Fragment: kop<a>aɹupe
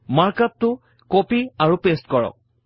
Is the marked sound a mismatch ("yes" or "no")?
yes